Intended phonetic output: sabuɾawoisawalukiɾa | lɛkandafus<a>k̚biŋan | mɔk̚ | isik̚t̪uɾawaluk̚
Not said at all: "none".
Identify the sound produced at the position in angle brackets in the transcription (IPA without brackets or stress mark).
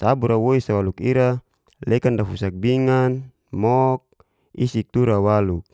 a